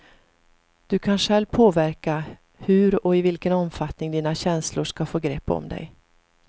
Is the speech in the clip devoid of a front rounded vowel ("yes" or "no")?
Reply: yes